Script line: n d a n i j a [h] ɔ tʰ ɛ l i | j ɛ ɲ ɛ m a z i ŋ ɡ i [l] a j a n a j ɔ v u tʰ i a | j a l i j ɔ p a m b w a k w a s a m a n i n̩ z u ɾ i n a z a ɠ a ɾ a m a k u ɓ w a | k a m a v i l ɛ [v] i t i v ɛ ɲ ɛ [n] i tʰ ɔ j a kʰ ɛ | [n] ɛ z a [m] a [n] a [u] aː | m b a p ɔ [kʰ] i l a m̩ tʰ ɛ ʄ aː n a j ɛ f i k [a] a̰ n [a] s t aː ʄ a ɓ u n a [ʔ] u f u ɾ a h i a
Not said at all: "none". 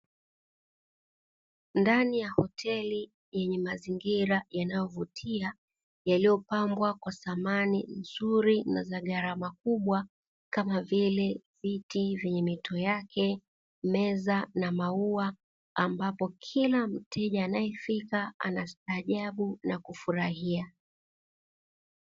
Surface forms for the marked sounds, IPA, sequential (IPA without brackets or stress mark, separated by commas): h, ɾ, v, m, m, n, m, u, kʰ, a, a, k